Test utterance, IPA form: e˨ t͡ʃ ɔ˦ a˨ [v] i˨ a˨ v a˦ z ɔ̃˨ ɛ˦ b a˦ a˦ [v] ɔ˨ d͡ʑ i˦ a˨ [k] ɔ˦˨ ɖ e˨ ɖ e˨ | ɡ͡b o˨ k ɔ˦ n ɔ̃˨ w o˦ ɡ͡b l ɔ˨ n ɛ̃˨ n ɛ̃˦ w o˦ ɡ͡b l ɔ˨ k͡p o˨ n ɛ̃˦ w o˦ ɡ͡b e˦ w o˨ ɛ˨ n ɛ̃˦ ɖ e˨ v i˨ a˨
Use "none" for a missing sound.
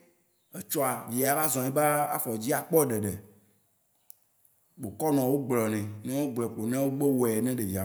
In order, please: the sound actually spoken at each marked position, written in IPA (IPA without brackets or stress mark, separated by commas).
v, f, k͡p